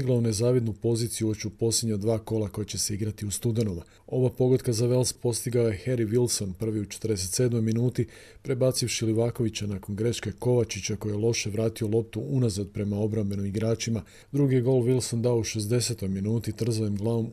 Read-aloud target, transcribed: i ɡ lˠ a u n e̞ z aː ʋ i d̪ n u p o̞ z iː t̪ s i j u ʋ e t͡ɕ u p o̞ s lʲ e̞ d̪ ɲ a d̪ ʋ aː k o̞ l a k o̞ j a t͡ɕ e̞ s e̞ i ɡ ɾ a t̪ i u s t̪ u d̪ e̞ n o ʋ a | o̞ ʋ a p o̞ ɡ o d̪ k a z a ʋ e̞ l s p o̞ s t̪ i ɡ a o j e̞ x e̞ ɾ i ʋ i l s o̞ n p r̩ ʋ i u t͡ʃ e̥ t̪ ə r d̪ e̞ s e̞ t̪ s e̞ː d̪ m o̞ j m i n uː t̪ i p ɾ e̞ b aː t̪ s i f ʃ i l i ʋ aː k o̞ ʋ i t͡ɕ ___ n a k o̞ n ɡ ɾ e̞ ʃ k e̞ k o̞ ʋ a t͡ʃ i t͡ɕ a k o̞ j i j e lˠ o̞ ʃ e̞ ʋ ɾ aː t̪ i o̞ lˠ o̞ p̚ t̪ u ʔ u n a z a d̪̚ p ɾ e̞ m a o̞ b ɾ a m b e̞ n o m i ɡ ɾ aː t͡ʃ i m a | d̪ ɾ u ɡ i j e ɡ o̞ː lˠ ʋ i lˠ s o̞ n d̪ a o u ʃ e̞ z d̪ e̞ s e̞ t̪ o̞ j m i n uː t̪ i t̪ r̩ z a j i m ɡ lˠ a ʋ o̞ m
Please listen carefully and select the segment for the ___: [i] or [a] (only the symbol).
a